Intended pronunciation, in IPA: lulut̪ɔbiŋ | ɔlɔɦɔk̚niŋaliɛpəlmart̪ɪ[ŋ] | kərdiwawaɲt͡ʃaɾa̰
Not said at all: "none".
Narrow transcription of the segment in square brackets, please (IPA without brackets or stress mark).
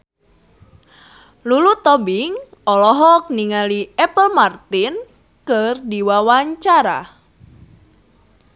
n